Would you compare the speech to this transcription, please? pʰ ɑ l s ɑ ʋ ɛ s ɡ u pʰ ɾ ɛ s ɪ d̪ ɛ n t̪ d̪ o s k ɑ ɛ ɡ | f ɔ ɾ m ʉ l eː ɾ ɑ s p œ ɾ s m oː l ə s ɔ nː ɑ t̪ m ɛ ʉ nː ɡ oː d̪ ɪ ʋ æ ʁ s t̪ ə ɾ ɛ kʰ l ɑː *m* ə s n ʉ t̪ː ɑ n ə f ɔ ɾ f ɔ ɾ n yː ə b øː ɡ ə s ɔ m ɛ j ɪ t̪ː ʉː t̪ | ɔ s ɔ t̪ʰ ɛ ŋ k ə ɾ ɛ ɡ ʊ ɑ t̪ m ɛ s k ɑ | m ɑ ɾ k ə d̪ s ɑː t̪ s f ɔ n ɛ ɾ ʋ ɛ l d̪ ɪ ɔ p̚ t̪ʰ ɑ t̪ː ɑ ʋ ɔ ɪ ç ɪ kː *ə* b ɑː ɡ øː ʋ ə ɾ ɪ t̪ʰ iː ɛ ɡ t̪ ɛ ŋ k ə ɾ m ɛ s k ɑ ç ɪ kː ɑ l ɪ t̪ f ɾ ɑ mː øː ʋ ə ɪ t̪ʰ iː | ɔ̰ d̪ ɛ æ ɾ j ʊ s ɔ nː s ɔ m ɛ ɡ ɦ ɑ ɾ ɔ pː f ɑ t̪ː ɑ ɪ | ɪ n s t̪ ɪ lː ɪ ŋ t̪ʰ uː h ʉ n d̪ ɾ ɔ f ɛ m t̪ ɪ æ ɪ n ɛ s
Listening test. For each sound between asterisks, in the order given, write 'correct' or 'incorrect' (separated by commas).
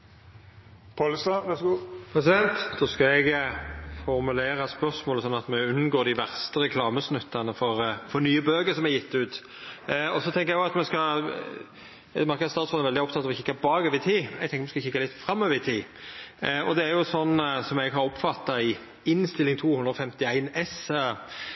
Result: correct, incorrect